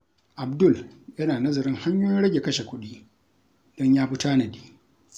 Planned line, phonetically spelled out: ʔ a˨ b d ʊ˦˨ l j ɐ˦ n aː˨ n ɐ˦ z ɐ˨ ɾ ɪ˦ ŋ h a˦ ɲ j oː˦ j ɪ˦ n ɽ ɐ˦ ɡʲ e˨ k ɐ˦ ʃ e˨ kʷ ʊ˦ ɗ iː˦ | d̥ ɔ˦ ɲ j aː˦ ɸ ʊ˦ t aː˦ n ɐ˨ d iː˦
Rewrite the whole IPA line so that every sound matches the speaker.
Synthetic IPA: ʔ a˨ b d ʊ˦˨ l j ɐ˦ n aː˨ n ɐ˦ z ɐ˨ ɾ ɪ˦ ŋ h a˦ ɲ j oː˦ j ɪ˦ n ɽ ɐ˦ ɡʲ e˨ k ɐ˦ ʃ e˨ kʷ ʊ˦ ɗ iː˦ | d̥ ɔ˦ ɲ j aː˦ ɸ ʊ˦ t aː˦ n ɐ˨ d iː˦